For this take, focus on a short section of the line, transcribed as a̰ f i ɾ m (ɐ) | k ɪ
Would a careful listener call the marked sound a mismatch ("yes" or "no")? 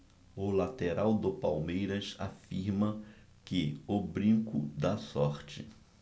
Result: no